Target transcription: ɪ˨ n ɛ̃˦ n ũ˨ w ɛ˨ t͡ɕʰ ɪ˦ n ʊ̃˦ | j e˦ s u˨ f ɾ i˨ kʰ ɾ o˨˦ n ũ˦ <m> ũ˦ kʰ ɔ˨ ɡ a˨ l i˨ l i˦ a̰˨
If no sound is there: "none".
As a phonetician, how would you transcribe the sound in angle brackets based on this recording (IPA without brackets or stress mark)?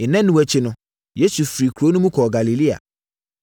m